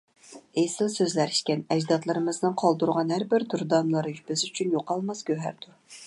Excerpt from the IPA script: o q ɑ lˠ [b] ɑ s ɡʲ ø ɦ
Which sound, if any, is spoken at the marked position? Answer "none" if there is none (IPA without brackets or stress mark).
m